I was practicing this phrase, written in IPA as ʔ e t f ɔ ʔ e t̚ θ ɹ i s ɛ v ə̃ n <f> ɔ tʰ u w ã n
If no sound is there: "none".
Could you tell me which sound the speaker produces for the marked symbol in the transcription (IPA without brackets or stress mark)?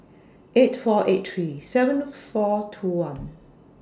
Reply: f